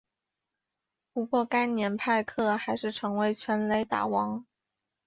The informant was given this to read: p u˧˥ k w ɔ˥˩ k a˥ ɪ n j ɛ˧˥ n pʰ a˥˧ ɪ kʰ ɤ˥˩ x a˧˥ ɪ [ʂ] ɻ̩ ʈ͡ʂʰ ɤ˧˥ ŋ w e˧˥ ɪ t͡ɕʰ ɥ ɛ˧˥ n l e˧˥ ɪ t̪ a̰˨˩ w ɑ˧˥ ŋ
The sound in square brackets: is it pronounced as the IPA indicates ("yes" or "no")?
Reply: yes